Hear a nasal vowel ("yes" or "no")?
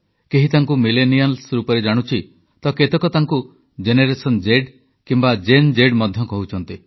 no